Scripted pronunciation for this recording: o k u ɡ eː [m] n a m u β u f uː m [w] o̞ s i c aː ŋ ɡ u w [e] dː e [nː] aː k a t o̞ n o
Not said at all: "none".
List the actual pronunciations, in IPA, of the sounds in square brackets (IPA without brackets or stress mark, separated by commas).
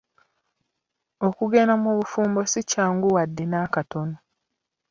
none, b, a, n